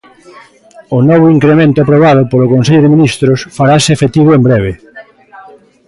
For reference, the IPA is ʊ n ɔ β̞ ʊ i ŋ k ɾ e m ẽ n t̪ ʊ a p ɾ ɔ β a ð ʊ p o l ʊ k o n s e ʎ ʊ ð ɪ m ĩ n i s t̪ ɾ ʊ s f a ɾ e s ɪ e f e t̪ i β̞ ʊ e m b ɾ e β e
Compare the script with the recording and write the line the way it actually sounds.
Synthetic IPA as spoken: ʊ n ɔ β̞ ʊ i ŋ k ɾ e m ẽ n t̪ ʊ a p ɾ o β a ð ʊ p o l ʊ k o n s e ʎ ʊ ð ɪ m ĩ n i s t̪ ɾ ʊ s f a ɾ a s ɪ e f e t̪ i β̞ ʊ e m b ɾ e β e